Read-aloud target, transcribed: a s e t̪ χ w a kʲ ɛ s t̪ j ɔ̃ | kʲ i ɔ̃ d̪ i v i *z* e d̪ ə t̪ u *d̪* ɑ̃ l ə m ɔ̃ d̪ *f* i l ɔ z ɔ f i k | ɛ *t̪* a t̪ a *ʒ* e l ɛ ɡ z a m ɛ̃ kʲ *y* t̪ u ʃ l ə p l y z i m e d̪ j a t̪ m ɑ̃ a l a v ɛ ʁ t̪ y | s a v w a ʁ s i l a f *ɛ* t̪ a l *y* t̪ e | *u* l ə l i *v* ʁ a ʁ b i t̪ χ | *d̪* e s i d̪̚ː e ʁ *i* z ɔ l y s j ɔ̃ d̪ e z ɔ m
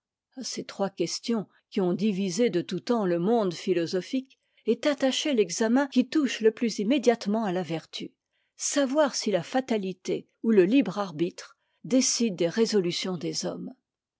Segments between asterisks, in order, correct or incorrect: correct, incorrect: t̪, correct, correct, incorrect: ʃ, incorrect: i, incorrect: a, incorrect: i, correct, incorrect: b, correct, incorrect: e

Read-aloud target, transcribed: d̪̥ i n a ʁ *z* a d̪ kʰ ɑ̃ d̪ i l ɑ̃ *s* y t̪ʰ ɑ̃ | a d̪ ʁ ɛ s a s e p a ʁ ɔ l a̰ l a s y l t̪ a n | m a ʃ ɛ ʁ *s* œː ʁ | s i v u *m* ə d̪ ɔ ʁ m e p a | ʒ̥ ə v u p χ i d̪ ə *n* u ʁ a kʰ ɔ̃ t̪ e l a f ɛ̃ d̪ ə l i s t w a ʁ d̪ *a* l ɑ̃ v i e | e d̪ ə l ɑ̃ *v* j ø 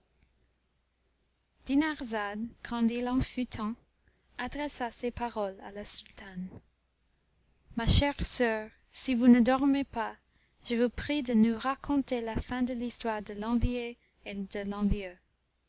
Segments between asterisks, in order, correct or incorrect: correct, incorrect: f, correct, incorrect: n, correct, incorrect: ə, correct

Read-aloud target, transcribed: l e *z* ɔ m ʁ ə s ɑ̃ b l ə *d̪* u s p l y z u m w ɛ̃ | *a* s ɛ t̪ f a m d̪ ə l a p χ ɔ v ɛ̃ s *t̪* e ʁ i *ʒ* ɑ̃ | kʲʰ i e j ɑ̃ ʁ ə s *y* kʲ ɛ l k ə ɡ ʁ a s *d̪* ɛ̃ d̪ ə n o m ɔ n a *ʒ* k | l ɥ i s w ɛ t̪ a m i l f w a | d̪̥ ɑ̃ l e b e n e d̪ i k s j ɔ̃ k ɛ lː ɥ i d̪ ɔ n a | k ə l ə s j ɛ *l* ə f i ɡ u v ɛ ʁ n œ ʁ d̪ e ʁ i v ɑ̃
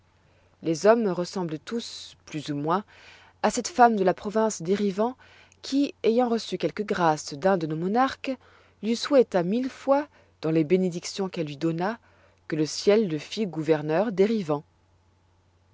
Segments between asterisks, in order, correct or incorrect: correct, incorrect: t̪, correct, incorrect: d̪, incorrect: v, correct, correct, incorrect: ʁ, incorrect: lː

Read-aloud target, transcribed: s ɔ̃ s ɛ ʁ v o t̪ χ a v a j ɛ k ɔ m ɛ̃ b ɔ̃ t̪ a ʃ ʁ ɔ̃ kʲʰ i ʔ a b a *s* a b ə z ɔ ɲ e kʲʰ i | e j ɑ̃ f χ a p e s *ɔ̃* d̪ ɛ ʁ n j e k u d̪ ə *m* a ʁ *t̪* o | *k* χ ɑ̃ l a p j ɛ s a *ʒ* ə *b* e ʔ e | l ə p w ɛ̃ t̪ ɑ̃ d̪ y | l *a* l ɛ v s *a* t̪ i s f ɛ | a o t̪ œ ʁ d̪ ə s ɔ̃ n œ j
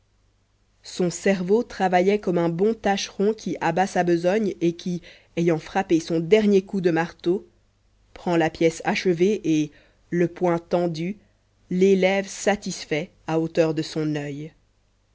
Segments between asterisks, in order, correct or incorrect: correct, correct, correct, correct, incorrect: p, incorrect: ʃ, incorrect: v, incorrect: e, correct

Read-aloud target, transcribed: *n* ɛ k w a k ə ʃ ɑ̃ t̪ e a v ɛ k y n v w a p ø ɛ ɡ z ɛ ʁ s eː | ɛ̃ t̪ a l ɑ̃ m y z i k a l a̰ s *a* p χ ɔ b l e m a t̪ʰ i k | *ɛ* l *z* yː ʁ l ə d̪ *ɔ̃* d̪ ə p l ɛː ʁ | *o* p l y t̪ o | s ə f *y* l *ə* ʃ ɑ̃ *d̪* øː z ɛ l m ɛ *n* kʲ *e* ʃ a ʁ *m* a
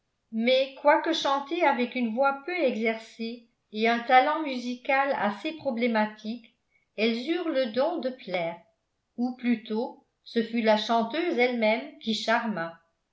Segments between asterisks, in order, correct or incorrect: incorrect: m, incorrect: e, correct, correct, correct, incorrect: u, correct, incorrect: a, incorrect: t̪, incorrect: m, incorrect: i, correct

